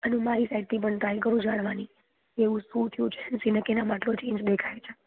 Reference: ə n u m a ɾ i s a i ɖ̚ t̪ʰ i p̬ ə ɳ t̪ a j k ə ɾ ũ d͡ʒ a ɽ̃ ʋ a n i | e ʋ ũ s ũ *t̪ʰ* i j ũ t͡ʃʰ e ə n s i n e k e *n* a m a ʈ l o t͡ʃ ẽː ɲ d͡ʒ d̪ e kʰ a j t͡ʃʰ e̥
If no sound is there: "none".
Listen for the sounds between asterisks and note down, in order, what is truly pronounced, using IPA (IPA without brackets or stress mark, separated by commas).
t̪ʰ, n